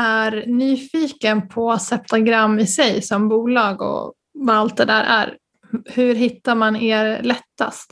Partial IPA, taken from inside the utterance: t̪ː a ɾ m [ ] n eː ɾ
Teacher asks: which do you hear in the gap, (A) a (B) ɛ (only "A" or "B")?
A